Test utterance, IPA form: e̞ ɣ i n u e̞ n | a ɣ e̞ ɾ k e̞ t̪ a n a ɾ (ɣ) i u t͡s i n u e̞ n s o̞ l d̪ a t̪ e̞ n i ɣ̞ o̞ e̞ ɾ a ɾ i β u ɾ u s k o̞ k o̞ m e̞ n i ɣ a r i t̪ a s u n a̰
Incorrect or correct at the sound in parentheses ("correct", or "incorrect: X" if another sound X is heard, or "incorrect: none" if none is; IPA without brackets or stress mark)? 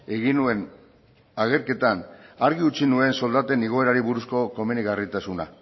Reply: correct